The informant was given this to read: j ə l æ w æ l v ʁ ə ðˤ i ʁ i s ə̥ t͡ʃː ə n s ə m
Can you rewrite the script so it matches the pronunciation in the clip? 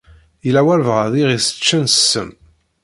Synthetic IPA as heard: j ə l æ w æ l v ʁ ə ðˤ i ʁ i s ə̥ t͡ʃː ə n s ə m

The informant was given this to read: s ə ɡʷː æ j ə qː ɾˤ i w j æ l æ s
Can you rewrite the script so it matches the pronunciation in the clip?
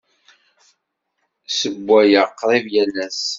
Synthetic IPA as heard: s ə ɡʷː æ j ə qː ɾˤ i v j æ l æ s

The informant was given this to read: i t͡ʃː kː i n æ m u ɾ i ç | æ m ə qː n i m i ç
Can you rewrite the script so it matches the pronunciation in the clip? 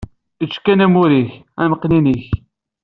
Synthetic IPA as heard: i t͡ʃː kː æ n æ m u ɾ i ç | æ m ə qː n i n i ç

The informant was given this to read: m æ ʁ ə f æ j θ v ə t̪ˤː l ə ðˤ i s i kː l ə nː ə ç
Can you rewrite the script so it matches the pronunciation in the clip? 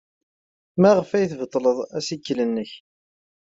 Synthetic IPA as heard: m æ ʁ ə f æ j θ v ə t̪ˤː l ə ðˤ æ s i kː l ə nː ə ç

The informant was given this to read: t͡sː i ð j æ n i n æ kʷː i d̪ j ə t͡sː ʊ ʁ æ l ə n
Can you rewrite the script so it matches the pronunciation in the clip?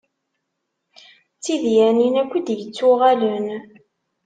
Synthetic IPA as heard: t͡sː i ð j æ n i n æ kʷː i d̪ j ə t͡sː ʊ ʁ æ l ə n

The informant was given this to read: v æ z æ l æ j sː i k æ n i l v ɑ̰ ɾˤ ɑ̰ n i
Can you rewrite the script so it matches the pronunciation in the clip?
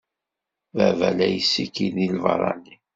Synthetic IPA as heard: v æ v æ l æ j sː i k i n i l v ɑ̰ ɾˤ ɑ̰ n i

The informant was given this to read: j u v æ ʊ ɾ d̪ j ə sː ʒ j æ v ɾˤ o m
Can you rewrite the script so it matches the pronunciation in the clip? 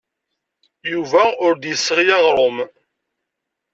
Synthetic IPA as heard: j u v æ ʊ ɾ d̪ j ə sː ʁ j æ ʁ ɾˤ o m

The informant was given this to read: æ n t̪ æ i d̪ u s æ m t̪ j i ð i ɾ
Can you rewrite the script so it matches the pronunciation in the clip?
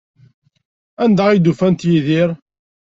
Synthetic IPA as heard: æ n d̪ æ i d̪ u f æ n t̪ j i ð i ɾ

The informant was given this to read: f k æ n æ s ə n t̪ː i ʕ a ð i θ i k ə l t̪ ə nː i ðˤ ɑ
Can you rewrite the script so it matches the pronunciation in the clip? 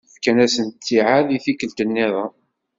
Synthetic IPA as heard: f k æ n æ s ə n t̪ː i ʕ a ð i θ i k ə l t̪ ə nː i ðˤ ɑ

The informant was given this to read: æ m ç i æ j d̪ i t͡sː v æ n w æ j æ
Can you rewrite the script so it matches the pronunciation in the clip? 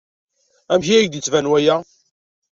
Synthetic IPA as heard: æ m ç i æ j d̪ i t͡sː v æ n w æ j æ

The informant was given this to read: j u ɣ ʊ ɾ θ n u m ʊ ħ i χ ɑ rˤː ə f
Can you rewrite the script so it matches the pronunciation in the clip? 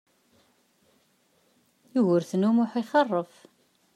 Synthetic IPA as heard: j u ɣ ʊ ɾ θ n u m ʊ ħ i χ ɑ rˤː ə f

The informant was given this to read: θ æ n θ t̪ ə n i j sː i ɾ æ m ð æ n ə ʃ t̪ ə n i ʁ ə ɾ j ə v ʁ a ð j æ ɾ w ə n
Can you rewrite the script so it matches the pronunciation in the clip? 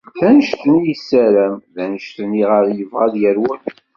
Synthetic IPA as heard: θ æ n ʃ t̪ ə n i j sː æ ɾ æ m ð æ n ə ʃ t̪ ə n i ʁ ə ɾ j ə v ʁ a ð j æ ɾ w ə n

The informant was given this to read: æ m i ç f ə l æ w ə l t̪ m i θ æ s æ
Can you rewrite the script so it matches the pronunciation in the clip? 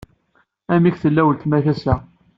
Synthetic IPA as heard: æ m i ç θ ə lː æ w ə l t̪ m æ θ æ s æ

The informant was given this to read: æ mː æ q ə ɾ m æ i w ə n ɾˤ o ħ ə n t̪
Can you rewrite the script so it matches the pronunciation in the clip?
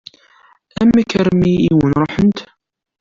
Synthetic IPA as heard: æ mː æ k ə ɾ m i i w ə n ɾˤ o ħ ə n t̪

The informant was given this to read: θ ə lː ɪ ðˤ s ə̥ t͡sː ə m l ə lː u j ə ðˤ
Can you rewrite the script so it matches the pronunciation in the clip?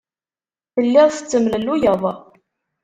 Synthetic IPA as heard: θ ə lː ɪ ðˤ θ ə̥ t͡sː ə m l ə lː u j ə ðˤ

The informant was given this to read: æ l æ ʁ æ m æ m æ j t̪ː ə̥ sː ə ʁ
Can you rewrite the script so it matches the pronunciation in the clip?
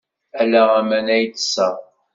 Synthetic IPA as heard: æ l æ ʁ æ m æ n æ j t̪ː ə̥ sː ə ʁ

